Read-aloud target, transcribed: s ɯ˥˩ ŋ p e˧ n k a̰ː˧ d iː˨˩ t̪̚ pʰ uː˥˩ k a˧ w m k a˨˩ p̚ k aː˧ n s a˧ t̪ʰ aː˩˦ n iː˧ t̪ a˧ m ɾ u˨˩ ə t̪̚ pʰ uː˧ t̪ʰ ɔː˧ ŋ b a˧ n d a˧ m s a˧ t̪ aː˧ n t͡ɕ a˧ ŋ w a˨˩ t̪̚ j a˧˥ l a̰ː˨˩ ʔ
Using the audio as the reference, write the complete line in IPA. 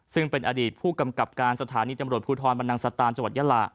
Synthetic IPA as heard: s ɯ˥˩ ŋ p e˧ n ʔ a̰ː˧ d iː˨˩ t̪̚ pʰ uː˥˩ k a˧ m k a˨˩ p̚ k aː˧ n s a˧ t̪ʰ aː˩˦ n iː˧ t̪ a˧ m ɾ u˨˩ ə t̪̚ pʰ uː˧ t̪ʰ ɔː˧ n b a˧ n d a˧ ŋ s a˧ t̪ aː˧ n t͡ɕ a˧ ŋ w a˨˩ t̪̚ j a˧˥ l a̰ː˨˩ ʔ